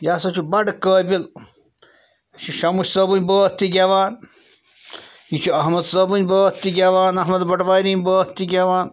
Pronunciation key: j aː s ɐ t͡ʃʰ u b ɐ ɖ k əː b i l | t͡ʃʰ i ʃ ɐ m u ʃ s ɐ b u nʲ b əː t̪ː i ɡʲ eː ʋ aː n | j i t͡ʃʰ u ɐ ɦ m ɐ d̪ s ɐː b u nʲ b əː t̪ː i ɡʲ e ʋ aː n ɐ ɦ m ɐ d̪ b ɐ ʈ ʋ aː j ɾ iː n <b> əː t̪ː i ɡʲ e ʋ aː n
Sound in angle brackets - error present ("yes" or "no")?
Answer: no